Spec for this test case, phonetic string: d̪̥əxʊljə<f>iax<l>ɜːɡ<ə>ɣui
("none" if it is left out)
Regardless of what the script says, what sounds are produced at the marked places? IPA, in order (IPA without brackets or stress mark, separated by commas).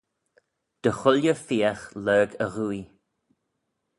f, l, ə